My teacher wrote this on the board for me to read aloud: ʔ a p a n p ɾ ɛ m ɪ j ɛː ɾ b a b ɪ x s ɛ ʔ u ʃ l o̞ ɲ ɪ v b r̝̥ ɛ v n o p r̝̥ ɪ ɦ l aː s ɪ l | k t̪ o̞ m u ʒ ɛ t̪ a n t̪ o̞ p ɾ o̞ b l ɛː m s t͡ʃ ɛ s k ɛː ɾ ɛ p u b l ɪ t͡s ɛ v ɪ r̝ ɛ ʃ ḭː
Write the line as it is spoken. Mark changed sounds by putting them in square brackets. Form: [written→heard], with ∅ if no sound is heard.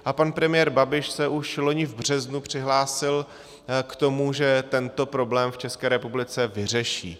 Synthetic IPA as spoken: ʔ a p a n p ɾ ɛ m ɪ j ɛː ɾ b a b ɪ [x→ʃ] s ɛ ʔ u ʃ l o̞ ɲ ɪ v b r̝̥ ɛ [v→z] n [o→u] p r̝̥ ɪ ɦ l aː s ɪ l | k t̪ o̞ m u ʒ ɛ t̪ [a→ɛ] n t̪ o̞ p ɾ o̞ b l ɛː m [s→f] t͡ʃ ɛ s k ɛː ɾ ɛ p u b l ɪ t͡s ɛ v ɪ r̝ ɛ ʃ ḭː